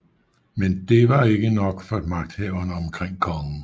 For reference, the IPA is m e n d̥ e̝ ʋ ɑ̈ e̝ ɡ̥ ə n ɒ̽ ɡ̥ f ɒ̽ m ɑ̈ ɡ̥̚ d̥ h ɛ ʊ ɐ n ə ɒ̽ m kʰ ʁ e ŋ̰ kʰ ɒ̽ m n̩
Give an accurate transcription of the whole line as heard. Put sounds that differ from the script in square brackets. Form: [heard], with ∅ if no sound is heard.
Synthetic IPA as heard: m e n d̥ e̝ ʋ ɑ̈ e̝ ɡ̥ ə n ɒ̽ ɡ̥ f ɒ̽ m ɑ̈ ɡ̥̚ d̥ h ɛ ʊ ɐ n ə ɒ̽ m kʰ ʁ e ŋ̰ kʰ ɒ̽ [ŋ] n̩